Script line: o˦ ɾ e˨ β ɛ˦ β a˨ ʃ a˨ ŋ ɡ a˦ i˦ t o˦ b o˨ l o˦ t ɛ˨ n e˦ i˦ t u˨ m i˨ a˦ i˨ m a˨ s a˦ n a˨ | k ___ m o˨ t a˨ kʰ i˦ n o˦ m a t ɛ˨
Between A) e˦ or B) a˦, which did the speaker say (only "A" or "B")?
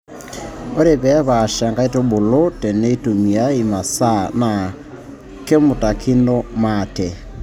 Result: A